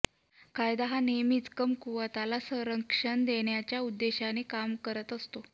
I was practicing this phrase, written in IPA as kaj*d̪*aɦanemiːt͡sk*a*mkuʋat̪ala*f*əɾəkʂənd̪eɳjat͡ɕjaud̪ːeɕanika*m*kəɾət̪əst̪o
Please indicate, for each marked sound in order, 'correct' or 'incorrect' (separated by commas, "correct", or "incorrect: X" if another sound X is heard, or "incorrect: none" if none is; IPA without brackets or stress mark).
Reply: correct, incorrect: ə, incorrect: s, correct